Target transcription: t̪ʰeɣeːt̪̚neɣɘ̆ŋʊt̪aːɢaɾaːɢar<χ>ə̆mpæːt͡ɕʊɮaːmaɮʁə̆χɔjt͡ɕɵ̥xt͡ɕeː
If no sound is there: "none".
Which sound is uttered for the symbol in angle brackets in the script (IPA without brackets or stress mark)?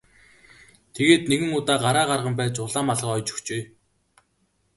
ʁ